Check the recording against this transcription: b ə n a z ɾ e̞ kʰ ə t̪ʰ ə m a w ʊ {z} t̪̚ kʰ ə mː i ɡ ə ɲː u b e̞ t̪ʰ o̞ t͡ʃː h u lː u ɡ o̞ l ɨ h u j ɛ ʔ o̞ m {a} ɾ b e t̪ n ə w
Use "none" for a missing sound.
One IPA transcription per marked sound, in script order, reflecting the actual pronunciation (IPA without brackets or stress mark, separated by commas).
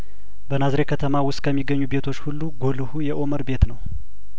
s, ə